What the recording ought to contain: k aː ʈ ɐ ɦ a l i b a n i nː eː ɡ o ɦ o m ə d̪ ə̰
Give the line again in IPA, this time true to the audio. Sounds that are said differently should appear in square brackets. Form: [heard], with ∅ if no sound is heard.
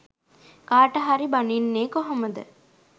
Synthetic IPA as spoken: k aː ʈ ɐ ɦ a [ɾ] i b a n i nː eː [k] o ɦ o m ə d̪ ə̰